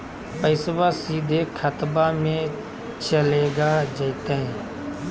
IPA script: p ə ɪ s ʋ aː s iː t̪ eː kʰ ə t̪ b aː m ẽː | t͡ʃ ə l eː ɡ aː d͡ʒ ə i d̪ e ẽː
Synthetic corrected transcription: p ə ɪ s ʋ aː s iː d̪ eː kʰ ə t̪ b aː m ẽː | t͡ʃ ə l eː ɡ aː d͡ʒ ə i t̪ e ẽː